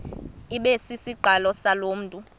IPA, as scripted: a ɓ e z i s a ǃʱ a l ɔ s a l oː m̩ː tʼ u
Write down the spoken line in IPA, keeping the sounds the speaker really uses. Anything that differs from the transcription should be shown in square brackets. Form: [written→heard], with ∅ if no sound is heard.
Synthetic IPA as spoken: [a→i] ɓ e [z→s] i s [a→i] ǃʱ a l ɔ s a l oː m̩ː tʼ u